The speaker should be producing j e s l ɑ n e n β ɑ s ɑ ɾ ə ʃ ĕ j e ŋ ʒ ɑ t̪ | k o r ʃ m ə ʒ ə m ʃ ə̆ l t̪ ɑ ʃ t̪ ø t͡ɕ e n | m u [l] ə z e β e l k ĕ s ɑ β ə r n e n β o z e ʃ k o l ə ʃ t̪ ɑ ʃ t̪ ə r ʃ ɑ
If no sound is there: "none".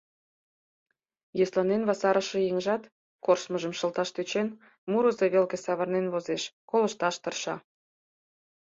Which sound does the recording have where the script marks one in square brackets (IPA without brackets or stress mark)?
ɾ